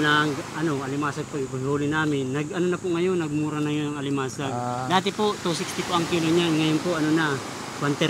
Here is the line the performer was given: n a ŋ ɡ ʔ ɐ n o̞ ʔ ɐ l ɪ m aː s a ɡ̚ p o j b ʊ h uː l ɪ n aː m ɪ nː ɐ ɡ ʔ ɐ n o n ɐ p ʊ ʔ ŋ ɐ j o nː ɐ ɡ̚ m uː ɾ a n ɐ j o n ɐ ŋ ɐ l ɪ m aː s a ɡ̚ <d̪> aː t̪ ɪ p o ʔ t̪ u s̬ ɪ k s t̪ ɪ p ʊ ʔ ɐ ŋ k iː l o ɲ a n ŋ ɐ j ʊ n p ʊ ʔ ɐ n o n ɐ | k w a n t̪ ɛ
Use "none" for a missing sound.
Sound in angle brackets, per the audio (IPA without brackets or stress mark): d̪